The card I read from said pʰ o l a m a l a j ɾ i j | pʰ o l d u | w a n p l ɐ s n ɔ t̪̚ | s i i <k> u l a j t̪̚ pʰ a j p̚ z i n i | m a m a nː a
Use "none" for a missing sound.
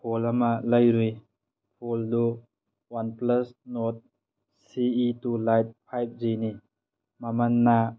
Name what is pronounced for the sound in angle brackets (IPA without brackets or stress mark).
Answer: t